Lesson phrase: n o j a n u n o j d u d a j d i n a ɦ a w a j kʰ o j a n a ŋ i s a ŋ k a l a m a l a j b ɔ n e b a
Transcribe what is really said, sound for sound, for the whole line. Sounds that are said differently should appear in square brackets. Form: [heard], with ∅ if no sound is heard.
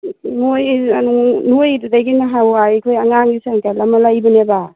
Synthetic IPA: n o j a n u n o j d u d a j [ɡ] i n a ɦ a w a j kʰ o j a [ŋ] a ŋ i s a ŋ k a l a m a l a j b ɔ n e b a